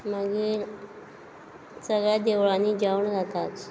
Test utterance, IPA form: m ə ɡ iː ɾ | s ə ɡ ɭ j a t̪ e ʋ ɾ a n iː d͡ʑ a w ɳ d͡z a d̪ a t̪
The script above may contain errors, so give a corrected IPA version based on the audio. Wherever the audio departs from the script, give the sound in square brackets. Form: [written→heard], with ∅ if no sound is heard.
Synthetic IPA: m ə ɡ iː ɾ | s ə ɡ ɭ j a [t̪→d̪] e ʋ [ɾ→ɭ] a n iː d͡ʑ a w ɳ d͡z a [d̪→t̪] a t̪